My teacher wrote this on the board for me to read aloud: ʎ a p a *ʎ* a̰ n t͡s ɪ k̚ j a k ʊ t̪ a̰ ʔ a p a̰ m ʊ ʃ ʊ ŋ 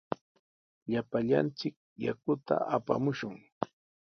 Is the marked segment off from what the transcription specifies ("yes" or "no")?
no